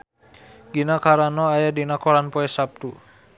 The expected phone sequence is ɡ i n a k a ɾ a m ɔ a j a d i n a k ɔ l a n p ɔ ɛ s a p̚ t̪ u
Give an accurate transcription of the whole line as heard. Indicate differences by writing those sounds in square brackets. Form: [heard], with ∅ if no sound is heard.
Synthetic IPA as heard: ɡ i n a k a ɾ a [n] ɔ a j a d i n a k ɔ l a n p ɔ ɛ s a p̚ t̪ u